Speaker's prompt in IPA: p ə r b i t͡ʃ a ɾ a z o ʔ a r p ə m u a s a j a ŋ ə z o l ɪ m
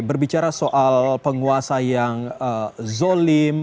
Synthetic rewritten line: b ə r b i t͡ʃ a ɾ a s o ʔ a l p ə ŋ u a s a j a ŋ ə z o l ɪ m